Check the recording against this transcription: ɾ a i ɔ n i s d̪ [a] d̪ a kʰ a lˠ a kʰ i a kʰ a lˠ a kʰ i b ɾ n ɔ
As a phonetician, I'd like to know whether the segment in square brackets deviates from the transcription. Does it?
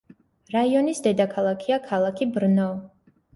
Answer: yes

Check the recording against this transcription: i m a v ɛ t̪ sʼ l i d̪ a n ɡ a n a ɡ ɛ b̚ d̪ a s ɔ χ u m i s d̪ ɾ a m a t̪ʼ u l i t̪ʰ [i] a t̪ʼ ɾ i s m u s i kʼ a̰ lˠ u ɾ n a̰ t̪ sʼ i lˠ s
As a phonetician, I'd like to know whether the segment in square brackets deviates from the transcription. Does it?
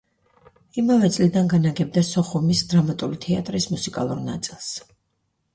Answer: yes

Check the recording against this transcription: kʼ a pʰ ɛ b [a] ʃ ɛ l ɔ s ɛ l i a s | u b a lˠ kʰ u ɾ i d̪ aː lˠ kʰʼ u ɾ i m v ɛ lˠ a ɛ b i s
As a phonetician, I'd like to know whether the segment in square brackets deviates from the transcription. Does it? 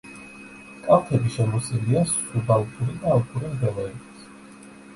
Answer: yes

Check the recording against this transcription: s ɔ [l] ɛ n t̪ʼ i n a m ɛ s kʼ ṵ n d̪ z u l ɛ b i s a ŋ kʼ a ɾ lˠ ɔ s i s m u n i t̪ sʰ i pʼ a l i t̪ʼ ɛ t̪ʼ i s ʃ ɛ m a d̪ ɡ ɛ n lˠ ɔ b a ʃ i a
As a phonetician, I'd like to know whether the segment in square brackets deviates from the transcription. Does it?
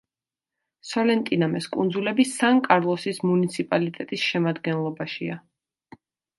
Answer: no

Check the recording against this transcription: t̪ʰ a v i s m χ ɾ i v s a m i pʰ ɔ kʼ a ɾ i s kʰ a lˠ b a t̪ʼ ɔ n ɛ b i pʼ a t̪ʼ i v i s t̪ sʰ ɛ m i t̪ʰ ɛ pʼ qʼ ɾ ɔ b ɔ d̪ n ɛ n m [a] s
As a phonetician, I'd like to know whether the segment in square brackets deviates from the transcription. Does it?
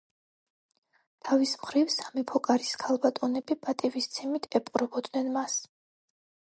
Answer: no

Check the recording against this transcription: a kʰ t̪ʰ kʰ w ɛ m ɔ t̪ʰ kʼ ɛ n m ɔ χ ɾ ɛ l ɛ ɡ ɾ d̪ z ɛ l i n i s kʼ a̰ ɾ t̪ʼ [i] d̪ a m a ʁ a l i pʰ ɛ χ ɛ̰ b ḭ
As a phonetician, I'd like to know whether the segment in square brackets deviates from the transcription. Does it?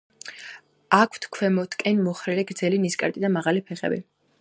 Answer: no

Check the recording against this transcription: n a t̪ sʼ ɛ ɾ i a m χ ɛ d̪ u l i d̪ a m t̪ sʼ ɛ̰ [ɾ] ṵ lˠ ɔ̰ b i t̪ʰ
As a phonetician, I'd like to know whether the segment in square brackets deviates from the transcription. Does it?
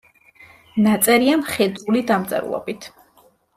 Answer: no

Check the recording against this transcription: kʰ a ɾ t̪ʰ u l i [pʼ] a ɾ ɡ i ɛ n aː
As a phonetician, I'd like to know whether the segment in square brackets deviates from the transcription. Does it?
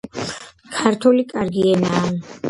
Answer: yes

